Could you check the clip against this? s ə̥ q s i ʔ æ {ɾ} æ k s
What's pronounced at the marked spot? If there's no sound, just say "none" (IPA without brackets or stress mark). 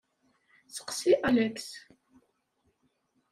l